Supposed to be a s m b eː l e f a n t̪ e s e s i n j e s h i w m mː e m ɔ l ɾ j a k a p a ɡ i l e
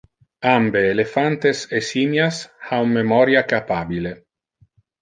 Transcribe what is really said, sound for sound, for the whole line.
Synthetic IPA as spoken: a m b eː l e f a n t̪ e s e s i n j a s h a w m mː e m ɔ ɾ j a k a p a b i l e